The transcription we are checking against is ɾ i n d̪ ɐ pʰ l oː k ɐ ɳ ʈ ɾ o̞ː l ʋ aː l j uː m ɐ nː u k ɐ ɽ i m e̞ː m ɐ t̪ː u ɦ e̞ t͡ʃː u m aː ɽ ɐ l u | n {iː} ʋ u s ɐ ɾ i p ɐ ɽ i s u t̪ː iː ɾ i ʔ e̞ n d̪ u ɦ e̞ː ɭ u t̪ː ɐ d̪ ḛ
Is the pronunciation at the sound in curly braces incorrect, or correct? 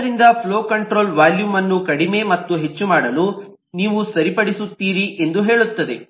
correct